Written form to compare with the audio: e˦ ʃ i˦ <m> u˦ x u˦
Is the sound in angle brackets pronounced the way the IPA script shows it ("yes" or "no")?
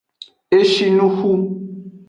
no